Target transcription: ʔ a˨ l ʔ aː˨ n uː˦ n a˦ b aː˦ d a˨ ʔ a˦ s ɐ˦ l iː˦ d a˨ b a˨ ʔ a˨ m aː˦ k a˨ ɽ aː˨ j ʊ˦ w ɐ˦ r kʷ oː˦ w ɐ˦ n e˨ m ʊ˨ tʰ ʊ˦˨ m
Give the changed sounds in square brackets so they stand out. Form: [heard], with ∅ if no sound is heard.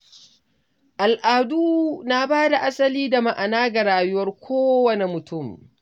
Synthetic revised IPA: ʔ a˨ l ʔ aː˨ [d] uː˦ n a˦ b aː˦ d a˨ ʔ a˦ s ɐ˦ l iː˦ d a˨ [m] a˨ ʔ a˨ [n] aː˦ [ɡ] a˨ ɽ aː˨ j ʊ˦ w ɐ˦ r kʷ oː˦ w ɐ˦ n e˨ m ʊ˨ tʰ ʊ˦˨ m